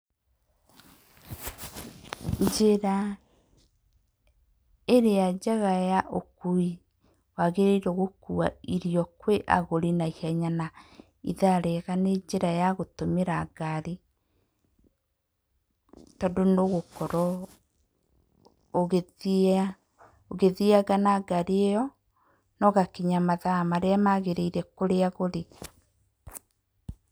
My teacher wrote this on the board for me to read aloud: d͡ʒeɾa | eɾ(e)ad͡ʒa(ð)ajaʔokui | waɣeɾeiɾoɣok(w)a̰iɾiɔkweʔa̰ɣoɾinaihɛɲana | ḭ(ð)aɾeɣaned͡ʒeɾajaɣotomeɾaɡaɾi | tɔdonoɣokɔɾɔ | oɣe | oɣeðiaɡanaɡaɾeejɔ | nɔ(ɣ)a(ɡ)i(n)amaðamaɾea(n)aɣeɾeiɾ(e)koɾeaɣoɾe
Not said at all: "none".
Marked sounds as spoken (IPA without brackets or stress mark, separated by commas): e, ɣ, u, ð, ɣ, k, ɲ, m, ɛ